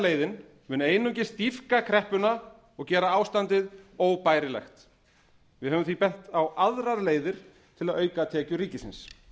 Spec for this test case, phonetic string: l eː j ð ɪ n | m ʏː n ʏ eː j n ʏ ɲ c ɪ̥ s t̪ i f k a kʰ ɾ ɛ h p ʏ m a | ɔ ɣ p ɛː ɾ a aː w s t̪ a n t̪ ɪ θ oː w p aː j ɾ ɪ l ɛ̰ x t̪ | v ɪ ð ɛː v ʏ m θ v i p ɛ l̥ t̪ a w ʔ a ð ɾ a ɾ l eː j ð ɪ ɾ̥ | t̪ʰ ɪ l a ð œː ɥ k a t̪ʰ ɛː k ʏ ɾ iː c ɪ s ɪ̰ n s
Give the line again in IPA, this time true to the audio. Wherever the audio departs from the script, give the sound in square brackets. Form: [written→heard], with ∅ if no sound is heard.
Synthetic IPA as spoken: l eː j ð ɪ n | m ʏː n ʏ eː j n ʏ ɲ c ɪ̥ s t̪ i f k a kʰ ɾ ɛ h p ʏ [m→n] a | ɔ ɣ [p→c] ɛː ɾ a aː w s t̪ a n t̪ ɪ [θ→ð] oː w p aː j ɾ ɪ l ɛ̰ x t̪ | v ɪ ð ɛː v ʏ m θ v i p ɛ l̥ t̪ a w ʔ a ð ɾ a ɾ l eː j ð ɪ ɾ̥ | t̪ʰ ɪ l a ð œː ɥ k a t̪ʰ ɛː [k→c] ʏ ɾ iː c ɪ s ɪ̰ n s